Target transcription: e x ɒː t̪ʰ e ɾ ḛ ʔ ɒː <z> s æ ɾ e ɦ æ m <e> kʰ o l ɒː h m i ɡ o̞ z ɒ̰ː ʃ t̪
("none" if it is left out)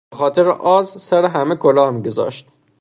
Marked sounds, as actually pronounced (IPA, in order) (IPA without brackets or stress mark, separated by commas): z, e